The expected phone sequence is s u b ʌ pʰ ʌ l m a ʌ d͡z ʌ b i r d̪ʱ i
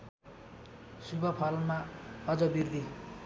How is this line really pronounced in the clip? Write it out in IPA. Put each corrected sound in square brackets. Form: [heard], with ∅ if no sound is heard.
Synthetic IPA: s u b ʌ pʰ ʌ l m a ʌ d͡z ʌ b i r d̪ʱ i